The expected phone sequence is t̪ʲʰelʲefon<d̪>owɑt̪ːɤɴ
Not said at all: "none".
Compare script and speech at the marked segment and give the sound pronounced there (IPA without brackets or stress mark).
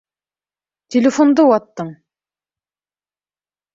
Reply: d̪